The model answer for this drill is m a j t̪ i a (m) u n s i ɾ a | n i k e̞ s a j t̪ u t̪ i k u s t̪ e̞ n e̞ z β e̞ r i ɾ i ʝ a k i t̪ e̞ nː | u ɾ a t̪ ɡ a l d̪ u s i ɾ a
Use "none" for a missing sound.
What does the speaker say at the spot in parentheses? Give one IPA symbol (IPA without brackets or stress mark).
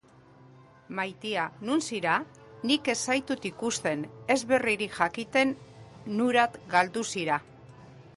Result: n